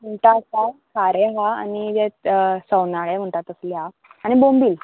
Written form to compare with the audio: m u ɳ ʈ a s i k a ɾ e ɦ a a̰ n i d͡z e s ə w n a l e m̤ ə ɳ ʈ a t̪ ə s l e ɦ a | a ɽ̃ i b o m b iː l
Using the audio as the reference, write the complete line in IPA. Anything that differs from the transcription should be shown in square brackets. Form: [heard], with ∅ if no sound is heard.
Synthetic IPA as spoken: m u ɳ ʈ a s [a] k a ɾ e ɦ a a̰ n i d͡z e s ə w n a [ɭ] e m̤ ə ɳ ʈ a t̪ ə s l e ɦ a | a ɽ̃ i b o m b iː l